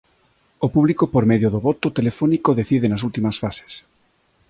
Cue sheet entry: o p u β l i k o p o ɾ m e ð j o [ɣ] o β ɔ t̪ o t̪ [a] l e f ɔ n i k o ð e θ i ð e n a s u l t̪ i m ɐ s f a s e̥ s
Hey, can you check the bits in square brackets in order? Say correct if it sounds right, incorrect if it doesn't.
incorrect: ð, incorrect: e

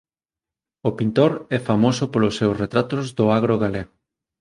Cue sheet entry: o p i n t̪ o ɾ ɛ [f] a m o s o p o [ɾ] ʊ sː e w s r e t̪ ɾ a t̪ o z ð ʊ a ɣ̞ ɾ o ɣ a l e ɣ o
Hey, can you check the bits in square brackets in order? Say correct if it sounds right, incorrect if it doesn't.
correct, incorrect: l

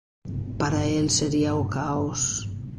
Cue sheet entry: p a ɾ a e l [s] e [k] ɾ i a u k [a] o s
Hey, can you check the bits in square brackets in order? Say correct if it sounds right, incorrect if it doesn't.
correct, incorrect: none, correct

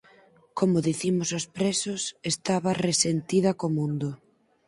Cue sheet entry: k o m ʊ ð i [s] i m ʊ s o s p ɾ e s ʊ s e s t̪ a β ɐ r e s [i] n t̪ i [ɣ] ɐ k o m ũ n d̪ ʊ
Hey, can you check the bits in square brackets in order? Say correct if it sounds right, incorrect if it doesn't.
incorrect: θ, incorrect: e, incorrect: ð

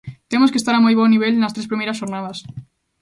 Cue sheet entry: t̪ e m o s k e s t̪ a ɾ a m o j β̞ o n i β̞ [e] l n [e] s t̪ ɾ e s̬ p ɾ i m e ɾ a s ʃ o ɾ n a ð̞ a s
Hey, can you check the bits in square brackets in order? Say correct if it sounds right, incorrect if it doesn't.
correct, incorrect: a

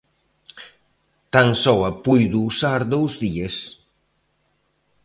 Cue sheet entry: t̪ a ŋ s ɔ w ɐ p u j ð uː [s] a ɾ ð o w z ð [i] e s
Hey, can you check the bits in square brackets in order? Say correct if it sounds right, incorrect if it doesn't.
correct, correct

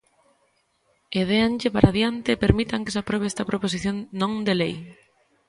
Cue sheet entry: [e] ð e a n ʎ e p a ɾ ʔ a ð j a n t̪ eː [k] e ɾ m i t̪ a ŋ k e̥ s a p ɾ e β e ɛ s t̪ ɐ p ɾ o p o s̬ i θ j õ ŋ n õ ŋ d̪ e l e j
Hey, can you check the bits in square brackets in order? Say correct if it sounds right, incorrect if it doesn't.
correct, incorrect: p

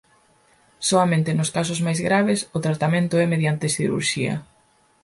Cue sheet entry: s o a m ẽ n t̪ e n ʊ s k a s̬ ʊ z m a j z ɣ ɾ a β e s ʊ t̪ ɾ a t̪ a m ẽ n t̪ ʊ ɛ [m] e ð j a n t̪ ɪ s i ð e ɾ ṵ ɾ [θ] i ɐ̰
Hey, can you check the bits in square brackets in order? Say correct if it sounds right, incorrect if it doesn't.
correct, incorrect: ʃ

